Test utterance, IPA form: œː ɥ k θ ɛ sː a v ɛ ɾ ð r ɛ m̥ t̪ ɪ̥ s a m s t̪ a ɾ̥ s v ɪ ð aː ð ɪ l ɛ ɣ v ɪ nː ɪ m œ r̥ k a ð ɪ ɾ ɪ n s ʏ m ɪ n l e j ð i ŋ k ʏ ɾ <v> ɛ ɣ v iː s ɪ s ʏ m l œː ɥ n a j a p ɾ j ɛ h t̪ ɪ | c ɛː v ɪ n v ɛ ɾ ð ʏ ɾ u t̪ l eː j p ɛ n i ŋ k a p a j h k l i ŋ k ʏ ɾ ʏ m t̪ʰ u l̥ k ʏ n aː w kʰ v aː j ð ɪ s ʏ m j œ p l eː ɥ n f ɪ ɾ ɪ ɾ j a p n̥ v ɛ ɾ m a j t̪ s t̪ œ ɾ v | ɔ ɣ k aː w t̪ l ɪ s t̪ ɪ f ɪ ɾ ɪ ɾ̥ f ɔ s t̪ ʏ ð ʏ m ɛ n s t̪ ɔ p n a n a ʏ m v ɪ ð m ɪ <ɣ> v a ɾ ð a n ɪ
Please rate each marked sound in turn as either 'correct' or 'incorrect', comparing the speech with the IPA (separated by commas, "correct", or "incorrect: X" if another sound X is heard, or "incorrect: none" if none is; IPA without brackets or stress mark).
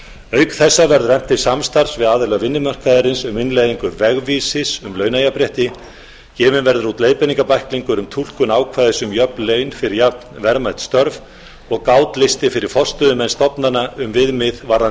correct, incorrect: ð